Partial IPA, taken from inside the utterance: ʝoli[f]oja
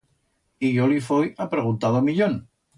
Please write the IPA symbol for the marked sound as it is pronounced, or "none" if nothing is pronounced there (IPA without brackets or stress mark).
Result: f